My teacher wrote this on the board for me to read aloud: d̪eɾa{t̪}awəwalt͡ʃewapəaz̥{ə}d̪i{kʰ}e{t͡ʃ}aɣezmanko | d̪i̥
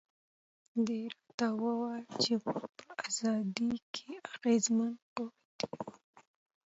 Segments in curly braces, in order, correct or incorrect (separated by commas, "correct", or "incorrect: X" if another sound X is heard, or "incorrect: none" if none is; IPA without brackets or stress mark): correct, incorrect: ɑ, correct, incorrect: none